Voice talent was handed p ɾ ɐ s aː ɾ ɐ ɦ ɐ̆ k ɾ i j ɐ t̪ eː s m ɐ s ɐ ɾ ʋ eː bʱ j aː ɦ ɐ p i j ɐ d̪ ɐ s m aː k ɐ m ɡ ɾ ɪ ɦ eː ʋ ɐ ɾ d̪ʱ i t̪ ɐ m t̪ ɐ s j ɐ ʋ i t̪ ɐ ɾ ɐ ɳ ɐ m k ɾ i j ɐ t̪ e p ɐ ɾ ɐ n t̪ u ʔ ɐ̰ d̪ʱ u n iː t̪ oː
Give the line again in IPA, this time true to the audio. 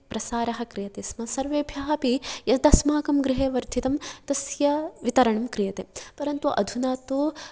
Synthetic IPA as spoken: p ɾ ɐ s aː ɾ ɐ ɦ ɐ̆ k ɾ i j ɐ t̪ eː s m ɐ s ɐ ɾ ʋ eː bʱ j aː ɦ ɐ p i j ɐ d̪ ɐ s m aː k ɐ m ɡ ɾ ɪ ɦ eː ʋ ɐ ɾ d̪ʱ i t̪ ɐ m t̪ ɐ s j ɐ ʋ i t̪ ɐ ɾ ɐ ɳ ɐ m k ɾ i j ɐ t̪ e p ɐ ɾ ɐ n t̪ u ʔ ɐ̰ d̪ʱ u n aː t̪ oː

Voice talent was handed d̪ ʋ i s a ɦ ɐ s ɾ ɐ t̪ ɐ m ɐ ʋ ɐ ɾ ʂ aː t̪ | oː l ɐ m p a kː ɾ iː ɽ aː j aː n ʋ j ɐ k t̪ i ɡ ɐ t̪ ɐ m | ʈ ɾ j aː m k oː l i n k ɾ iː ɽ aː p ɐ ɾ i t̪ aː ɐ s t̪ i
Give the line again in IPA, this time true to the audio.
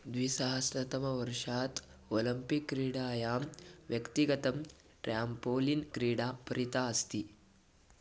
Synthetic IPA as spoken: d̪ ʋ i s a ɦ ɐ s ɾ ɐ t̪ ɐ m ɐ ʋ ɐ ɾ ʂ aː t̪ | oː l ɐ m p i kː ɾ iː ɽ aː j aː m ʋ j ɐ k t̪ i ɡ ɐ t̪ ɐ m | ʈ ɾ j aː m p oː l i n k ɾ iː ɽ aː p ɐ ɾ i t̪ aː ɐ s t̪ i

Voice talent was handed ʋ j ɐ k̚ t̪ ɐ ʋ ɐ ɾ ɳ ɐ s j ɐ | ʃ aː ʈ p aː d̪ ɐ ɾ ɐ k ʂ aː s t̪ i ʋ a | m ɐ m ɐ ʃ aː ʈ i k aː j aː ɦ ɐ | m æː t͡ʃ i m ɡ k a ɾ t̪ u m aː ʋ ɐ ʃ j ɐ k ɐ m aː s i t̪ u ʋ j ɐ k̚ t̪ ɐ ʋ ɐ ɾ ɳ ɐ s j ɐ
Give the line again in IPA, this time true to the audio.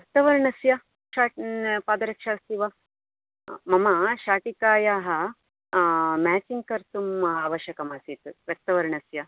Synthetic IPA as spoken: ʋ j ɐ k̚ t̪ ɐ ʋ ɐ ɾ ɳ ɐ s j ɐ | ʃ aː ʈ p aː d̪ ɐ ɾ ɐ k ʂ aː s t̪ i ʋ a | m ɐ m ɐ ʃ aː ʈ i k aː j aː ɦ ɐ | m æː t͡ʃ i ŋ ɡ k ɐ ɾ t̪ u m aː ʋ ɐ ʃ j ɐ k ɐ m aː s i t̪ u ʋ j ɐ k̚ t̪ ɐ ʋ ɐ ɾ ɳ ɐ s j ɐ

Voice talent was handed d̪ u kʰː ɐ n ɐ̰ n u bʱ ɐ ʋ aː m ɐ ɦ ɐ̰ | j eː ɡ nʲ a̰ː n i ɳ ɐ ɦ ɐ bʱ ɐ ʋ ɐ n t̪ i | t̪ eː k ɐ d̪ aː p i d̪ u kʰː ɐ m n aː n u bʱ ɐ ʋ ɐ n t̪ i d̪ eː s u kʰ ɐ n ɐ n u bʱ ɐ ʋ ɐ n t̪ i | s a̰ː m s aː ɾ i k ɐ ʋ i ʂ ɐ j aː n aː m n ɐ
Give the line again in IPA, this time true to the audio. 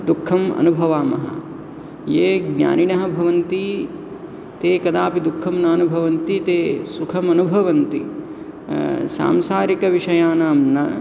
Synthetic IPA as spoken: d̪ u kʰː ɐ m ɐ̰ n u bʱ ɐ ʋ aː m ɐ ɦ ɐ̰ | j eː ɡ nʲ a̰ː n i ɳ ɐ ɦ ɐ bʱ ɐ ʋ ɐ n t̪ i | t̪ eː k ɐ d̪ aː p i d̪ u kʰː ɐ m n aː n u bʱ ɐ ʋ ɐ n t̪ i t̪ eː s u kʰ ɐ m ɐ n u bʱ ɐ ʋ ɐ n t̪ i | s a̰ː m s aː ɾ i k ɐ ʋ i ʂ ɐ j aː n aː m n ɐ

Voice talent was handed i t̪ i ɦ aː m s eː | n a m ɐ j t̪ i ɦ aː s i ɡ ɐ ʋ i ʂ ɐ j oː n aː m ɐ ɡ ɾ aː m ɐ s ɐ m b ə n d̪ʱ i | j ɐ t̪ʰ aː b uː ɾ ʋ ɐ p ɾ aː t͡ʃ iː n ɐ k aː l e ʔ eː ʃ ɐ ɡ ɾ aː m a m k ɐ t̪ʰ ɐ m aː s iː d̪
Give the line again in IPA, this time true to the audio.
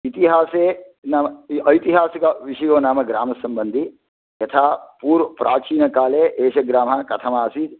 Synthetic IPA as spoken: i t̪ i ɦ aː s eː | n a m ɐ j t̪ i ɦ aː s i k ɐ ʋ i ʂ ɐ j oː n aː m ɐ ɡ ɾ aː m ɐ s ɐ m b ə n d̪ʱ i | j ɐ t̪ʰ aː p uː ɾ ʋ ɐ p ɾ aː t͡ʃ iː n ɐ k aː l e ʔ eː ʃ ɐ ɡ ɾ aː m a k ɐ t̪ʰ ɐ m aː s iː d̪

